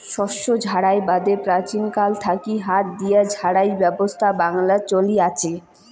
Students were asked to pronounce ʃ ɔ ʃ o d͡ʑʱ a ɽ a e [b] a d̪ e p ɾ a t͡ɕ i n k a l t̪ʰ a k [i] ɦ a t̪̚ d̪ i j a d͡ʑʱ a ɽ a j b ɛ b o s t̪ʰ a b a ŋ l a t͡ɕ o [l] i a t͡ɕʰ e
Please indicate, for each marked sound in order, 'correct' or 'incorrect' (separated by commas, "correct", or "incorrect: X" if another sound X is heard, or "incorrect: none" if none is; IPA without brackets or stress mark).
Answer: correct, correct, correct